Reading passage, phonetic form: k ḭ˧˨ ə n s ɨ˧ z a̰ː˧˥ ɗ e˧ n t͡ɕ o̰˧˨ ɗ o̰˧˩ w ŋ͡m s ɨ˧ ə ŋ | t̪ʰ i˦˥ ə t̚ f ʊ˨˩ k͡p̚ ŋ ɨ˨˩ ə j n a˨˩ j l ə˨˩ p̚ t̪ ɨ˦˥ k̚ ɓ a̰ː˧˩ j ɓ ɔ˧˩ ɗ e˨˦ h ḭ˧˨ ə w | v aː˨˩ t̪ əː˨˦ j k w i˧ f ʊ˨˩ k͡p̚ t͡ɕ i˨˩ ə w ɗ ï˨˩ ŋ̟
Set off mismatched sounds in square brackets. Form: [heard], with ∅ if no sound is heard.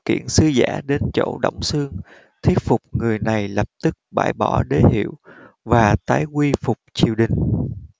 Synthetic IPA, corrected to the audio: k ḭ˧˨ ə n s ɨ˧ z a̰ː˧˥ ɗ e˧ n t͡ɕ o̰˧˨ ɗ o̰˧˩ w ŋ͡m s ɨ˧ ə ŋ | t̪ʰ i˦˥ ə t̚ f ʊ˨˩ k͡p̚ ŋ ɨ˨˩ ə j n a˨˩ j l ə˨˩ p̚ t̪ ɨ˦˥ k̚ ɓ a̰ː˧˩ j ɓ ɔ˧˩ ɗ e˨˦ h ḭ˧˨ ə w | v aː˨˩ t̪ [aː˨˦] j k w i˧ f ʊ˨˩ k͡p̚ t͡ɕ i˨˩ ə w ɗ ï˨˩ ŋ̟